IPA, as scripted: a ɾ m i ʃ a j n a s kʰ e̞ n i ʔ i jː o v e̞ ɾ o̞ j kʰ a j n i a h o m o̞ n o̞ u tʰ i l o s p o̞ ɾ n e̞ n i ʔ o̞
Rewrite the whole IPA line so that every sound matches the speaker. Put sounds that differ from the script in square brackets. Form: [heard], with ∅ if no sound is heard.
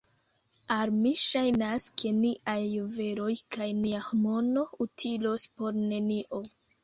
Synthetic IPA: a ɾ m i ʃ a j n a s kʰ e̞ n i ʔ [a] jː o v e̞ ɾ o̞ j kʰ a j n i a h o m o̞ n o̞ u tʰ i l o s p o̞ ɾ n e̞ n i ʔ o̞

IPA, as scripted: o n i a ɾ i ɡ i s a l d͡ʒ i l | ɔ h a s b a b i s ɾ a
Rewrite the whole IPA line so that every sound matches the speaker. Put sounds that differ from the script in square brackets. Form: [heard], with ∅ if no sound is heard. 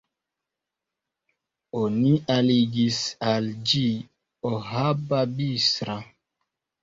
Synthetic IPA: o n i a [l] i ɡ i s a l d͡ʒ i [∅] | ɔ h a [∅] b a b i s ɾ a

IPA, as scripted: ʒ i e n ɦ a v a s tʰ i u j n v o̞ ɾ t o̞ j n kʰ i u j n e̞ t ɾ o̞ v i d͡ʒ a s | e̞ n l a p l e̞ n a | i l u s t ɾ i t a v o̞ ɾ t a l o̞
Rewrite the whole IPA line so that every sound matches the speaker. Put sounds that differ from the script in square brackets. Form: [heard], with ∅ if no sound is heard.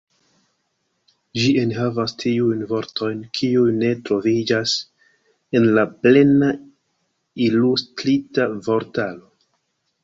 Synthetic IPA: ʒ i e n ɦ a v a s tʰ i u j n v o̞ ɾ t o̞ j n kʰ i u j n e̞ t ɾ o̞ v i d͡ʒ a s | e̞ n l a p l e̞ n a | i l u s t ɾ i t a v o̞ ɾ t a l o̞

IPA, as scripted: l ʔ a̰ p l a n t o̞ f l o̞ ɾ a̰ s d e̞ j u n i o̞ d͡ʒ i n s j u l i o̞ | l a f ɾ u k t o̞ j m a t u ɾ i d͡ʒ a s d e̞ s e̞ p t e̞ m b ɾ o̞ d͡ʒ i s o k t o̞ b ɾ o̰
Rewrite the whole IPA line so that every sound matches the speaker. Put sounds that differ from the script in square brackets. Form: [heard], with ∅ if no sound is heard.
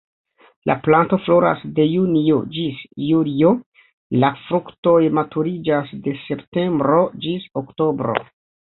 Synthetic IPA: l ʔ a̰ p l a n t o̞ f l o̞ ɾ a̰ s d e̞ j u n i o̞ d͡ʒ i [∅] s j u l i o̞ | l a f ɾ u k t o̞ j m a t u ɾ i d͡ʒ a s d e̞ s e̞ p t e̞ m b ɾ o̞ d͡ʒ i s o k t o̞ b ɾ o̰

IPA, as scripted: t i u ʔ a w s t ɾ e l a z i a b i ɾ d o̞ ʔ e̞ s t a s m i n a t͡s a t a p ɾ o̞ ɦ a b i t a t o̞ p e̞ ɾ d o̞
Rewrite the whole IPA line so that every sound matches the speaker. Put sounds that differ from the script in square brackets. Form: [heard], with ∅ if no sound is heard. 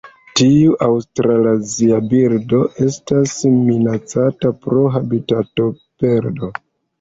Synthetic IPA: t i u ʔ a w s t ɾ [a] l a z i a b i ɾ d o̞ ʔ e̞ s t a s m i n a t͡s a t a p ɾ o̞ ɦ a b i t a t o̞ p e̞ ɾ d o̞

